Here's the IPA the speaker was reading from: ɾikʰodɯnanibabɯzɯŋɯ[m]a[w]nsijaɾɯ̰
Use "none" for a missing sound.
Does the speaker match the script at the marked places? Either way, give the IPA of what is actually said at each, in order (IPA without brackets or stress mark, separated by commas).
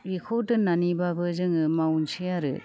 m, w